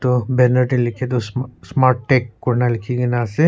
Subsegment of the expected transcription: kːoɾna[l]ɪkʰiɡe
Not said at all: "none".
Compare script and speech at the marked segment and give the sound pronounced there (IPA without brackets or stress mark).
l